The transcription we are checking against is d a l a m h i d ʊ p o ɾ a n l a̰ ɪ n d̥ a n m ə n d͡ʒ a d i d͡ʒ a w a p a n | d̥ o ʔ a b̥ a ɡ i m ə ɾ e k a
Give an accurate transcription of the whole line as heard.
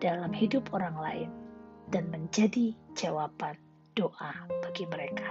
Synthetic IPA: d a l a m h i d ʊ p o ɾ a ŋ l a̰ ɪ n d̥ a n m ə ɲ d͡ʒ a d i d͡ʒ a w a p a n | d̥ o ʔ a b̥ a ɡ i m ə ɾ e k a